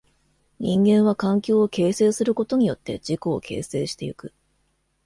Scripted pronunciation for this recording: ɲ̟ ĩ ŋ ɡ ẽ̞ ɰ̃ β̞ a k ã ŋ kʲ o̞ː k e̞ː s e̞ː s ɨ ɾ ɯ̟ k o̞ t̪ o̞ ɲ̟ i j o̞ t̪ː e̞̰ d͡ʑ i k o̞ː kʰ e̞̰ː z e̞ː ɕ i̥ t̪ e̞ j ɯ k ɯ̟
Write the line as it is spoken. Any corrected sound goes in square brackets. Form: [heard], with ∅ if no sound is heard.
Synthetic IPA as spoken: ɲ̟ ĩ ŋ ɡ ẽ̞ ɰ̃ β̞ a k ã ŋ kʲ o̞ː k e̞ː s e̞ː s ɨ ɾ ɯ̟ k o̞ t̪ o̞ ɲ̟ i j o̞ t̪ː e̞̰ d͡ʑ i k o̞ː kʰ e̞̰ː [s] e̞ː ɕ i̥ t̪ e̞ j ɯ k ɯ̟